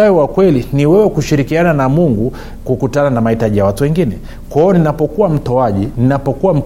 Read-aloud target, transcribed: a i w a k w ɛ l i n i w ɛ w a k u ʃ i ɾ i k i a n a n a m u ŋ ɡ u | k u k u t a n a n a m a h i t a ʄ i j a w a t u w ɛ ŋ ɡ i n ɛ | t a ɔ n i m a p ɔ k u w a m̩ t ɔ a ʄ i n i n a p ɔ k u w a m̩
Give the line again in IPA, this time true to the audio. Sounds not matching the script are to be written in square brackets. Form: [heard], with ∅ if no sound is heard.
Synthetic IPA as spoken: a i w a k w ɛ l i n i w ɛ w [ɛ] k u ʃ i ɾ i k i a n a n a m u ŋ ɡ u | k u k u t a n a n a m a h i t a ʄ i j a w a t u w ɛ ŋ ɡ i n ɛ | [k] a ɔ n i [n] a p ɔ k u w a m̩ t ɔ a ʄ i n i n a p ɔ k u w a m̩